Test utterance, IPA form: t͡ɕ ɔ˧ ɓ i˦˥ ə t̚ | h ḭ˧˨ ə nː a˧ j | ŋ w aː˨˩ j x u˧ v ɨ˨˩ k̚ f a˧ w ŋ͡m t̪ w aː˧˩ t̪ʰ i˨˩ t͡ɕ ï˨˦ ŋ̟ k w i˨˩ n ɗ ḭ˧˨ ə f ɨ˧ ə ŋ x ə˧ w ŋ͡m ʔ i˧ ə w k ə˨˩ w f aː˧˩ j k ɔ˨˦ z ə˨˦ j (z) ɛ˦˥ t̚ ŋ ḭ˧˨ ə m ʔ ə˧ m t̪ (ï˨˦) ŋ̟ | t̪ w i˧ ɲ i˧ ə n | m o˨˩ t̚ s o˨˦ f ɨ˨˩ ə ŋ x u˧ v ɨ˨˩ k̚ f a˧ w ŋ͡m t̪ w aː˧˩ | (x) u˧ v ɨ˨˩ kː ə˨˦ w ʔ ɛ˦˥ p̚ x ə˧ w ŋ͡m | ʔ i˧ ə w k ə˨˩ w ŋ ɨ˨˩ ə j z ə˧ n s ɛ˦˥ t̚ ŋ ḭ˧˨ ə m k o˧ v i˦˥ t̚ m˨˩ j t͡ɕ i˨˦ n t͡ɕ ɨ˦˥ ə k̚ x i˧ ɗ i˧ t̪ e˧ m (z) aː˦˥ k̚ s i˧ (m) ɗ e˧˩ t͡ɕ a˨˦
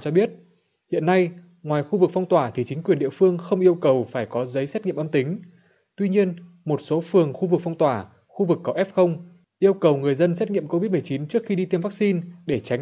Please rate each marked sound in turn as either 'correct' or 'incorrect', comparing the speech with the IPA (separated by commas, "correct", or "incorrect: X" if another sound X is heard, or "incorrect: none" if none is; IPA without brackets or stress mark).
incorrect: s, correct, correct, incorrect: v, incorrect: n